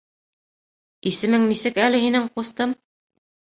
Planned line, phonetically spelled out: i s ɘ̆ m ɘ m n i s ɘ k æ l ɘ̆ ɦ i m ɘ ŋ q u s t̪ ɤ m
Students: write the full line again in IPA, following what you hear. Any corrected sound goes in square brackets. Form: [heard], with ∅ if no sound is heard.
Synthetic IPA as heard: i s ɘ̆ m ɘ [ŋ] n i s ɘ k æ l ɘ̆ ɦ i [n] ɘ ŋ q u s t̪ ɤ m